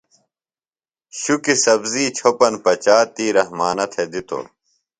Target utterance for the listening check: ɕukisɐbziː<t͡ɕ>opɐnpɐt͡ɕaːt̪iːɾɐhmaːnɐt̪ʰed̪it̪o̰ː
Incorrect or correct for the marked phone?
incorrect: t͡ɕʰ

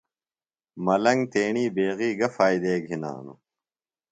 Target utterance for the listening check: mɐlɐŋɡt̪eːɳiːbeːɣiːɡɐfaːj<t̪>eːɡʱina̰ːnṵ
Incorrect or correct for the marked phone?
incorrect: d̪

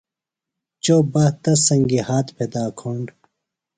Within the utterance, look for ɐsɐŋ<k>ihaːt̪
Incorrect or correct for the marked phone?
incorrect: ɡ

